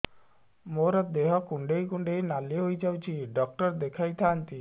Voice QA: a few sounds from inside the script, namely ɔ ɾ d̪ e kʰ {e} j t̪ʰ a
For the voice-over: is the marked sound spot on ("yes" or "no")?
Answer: no